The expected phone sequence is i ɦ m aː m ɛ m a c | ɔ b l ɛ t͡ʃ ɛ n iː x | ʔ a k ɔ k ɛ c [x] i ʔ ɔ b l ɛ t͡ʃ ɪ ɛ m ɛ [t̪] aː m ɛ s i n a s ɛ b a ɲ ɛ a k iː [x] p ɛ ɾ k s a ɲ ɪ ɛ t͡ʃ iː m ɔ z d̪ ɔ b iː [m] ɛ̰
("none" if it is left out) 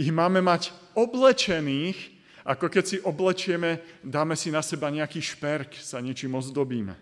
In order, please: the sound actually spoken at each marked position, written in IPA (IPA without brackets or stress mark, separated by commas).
s, d̪, ʃ, m